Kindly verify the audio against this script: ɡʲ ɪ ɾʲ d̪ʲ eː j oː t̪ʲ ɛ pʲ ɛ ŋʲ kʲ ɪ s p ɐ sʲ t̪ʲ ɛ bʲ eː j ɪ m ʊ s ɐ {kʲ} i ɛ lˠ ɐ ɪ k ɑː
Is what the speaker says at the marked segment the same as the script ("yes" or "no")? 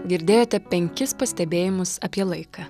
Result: no